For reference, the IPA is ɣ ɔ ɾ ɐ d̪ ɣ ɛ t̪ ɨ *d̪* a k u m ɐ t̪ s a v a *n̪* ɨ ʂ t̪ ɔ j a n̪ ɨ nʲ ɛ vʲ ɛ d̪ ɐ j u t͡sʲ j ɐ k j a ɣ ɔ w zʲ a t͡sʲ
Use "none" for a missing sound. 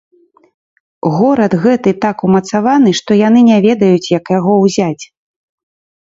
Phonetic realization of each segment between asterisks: t̪, n̪

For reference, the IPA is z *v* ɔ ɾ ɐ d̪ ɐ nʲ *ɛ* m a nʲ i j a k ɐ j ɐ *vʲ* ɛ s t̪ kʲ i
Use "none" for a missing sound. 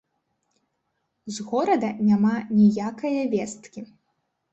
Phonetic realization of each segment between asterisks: ɣ, a, vʲ

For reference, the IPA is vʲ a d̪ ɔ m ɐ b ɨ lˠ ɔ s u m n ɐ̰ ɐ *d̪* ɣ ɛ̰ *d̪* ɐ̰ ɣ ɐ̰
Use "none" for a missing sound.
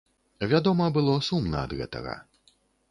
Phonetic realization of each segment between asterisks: d̪, t̪

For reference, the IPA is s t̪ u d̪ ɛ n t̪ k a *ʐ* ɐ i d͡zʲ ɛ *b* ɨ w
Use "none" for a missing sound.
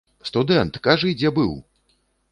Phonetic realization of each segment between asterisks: ʐ, b

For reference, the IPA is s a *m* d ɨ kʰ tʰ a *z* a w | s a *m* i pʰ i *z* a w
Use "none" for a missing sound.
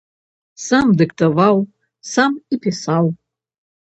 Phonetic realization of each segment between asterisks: m, v, m, s

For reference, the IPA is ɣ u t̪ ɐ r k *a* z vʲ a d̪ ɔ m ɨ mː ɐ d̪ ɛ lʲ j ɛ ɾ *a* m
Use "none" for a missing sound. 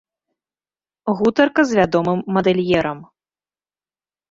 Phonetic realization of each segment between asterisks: ɐ, ɐ

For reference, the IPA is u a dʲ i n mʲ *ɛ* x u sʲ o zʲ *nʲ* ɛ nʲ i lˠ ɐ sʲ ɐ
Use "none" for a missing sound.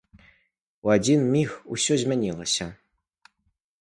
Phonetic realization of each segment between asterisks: i, mʲ

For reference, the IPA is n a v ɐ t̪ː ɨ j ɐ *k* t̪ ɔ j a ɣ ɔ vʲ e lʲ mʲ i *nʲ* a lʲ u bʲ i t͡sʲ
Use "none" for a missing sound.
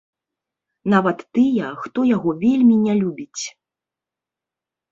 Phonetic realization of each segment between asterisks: x, nʲ

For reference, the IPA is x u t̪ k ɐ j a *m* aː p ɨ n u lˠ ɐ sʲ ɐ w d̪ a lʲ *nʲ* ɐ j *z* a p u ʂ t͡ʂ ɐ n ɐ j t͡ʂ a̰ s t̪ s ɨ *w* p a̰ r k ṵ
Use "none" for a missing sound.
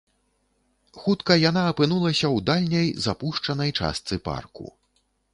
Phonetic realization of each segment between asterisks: n, nʲ, z, none

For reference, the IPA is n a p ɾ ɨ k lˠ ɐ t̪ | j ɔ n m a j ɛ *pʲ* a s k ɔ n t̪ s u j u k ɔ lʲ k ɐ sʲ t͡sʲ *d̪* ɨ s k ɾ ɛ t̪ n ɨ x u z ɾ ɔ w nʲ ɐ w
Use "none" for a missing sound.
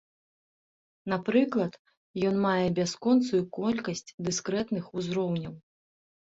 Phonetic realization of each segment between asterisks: bʲ, d̪

